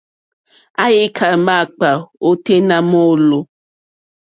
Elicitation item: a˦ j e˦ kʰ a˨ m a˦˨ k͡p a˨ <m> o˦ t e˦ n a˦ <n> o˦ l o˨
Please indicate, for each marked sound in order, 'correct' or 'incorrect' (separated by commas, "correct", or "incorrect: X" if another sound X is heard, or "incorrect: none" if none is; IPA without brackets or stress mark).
incorrect: none, incorrect: m